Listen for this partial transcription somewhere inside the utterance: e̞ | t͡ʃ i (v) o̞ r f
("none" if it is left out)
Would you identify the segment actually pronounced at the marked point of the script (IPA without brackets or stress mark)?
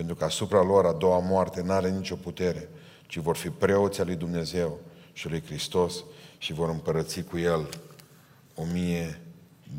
v